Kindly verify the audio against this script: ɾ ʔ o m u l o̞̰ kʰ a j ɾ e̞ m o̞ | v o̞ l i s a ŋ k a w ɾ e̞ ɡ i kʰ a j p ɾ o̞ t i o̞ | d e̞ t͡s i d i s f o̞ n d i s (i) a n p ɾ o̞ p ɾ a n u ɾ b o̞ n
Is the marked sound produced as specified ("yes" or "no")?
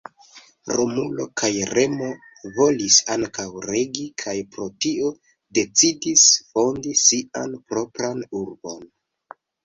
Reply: yes